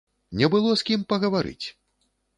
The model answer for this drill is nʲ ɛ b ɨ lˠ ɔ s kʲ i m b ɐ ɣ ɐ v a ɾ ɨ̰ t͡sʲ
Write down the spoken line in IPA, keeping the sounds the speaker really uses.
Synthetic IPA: nʲ ɛ b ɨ lˠ ɔ s kʲ i m p ɐ ɣ ɐ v a ɾ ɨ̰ t͡sʲ